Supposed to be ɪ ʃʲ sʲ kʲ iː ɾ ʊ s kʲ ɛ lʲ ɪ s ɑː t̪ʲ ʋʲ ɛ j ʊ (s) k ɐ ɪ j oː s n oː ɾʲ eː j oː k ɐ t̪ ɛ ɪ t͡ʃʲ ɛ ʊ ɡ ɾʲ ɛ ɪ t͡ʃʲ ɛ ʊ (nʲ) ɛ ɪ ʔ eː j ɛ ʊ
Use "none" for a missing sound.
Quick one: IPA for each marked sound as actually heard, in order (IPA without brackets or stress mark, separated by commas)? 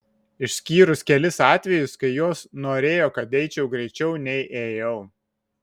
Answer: s, nʲ